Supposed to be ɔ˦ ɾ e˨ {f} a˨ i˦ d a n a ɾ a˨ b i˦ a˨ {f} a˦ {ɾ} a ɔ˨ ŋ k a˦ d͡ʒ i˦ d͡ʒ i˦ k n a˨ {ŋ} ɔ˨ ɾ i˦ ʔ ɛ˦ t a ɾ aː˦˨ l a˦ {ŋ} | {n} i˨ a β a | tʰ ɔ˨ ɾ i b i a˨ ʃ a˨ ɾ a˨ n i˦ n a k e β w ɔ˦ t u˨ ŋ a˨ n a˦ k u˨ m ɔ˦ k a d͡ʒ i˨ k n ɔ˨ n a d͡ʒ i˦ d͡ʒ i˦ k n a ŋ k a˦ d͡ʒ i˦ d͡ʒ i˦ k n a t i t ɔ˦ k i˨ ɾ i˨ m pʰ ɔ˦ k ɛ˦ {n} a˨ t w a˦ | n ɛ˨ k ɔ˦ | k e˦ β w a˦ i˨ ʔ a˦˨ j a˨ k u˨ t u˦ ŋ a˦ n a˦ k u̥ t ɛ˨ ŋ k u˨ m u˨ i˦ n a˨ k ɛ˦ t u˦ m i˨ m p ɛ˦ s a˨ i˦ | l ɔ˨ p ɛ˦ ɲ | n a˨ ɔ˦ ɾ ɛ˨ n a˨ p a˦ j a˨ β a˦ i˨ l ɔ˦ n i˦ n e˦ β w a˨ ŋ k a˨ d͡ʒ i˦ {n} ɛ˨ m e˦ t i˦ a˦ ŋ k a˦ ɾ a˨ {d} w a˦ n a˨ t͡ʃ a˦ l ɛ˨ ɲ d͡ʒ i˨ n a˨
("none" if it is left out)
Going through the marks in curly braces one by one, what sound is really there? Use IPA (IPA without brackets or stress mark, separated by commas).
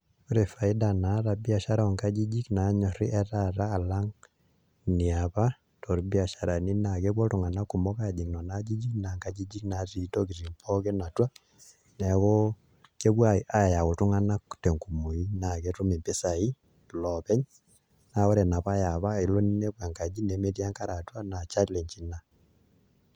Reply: f, ʃ, ɾ, ɲ, ŋ, n, n, n, t